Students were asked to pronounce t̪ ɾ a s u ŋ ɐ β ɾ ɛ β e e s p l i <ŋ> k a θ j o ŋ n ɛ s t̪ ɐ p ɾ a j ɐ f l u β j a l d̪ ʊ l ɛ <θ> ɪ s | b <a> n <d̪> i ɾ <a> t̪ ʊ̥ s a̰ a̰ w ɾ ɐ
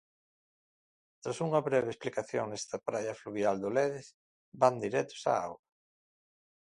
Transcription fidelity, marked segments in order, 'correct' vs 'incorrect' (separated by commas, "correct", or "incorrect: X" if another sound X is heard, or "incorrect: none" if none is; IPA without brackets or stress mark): incorrect: none, incorrect: ð, correct, correct, incorrect: ɛ